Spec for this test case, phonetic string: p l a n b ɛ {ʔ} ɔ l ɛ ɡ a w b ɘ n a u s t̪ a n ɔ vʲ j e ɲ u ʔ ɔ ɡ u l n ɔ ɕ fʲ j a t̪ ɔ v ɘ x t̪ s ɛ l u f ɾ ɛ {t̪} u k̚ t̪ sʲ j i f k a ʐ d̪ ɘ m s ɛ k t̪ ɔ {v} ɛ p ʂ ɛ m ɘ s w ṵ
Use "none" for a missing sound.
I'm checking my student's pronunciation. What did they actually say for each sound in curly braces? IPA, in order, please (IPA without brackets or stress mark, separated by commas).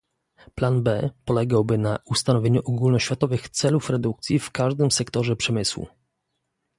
p, d̪, ʐ